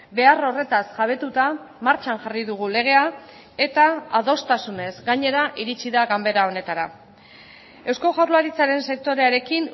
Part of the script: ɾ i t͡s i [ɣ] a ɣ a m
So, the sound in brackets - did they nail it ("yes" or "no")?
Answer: no